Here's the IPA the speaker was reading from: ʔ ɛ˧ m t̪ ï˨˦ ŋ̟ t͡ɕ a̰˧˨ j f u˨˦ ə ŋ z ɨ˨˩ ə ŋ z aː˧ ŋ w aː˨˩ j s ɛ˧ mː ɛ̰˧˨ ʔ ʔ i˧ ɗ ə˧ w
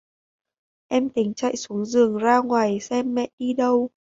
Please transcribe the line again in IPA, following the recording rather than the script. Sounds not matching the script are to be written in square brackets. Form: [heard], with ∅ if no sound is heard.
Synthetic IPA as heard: ʔ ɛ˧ m t̪ ï˨˦ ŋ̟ t͡ɕ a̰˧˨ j [s] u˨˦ ə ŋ z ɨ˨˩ ə ŋ z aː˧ ŋ w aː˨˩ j s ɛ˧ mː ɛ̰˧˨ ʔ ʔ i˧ ɗ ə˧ w